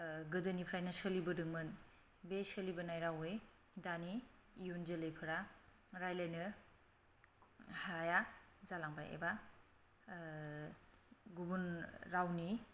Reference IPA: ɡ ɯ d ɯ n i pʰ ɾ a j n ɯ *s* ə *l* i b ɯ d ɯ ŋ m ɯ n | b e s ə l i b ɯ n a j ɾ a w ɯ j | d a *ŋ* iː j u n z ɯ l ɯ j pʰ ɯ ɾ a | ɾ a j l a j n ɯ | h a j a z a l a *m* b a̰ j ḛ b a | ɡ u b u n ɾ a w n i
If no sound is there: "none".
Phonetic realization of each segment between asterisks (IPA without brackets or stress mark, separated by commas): s, l, n, ŋ